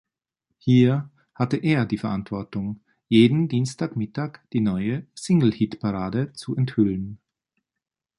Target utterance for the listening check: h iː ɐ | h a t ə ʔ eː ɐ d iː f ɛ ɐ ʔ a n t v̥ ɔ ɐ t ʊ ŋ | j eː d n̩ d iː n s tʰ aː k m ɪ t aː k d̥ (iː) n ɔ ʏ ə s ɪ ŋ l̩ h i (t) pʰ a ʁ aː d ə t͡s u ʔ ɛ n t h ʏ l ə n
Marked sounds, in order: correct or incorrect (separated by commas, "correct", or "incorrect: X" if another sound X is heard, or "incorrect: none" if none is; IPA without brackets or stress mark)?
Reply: correct, correct